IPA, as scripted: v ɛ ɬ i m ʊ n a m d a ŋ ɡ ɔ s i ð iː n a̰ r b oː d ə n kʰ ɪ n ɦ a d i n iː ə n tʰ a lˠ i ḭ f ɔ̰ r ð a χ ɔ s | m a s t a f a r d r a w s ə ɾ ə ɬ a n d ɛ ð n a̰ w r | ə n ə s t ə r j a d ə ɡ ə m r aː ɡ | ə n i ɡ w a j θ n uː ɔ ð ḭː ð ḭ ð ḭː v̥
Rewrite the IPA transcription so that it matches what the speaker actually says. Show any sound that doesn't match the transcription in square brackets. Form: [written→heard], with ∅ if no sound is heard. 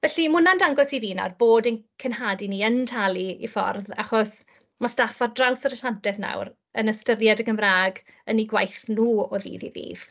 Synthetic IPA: v ɛ ɬ i m ʊ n a [m→n] d a ŋ ɡ ɔ s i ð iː n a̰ r b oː d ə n kʰ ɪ n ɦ a d i n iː ə n tʰ a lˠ i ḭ f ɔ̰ r ð a χ ɔ s | m a s t a f a r d r a w s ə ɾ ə ɬ a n d ɛ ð n a̰ w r | ə n ə s t ə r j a d ə ɡ ə m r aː ɡ | ə n i ɡ w a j θ n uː ɔ ð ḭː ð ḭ ð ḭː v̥